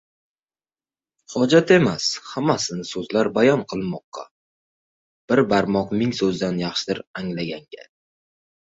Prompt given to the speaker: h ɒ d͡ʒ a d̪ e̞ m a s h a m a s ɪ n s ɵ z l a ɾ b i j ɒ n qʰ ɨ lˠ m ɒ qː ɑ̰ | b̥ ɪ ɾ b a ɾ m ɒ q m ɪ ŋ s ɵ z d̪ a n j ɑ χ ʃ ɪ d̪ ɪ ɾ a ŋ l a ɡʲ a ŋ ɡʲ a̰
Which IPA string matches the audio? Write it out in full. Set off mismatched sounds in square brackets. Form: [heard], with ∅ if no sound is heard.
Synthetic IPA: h ɒ d͡ʒ a [t̪] e̞ m a s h a m a s ɪ n s ɵ z l a ɾ b [a] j ɒ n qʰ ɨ lˠ m ɒ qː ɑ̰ | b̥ ɪ ɾ b a ɾ m ɒ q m ɪ ŋ s ɵ z d̪ a n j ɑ χ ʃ ɪ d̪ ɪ ɾ a ŋ l a ɡʲ a ŋ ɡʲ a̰